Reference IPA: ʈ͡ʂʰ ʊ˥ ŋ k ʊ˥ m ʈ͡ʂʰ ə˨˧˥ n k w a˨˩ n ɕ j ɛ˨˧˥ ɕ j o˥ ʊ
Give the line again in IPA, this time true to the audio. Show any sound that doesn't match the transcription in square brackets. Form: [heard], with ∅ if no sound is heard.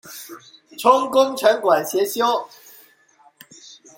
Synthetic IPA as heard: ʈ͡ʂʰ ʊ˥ ŋ k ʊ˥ [ŋ] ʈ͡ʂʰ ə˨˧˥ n k w a˨˩ n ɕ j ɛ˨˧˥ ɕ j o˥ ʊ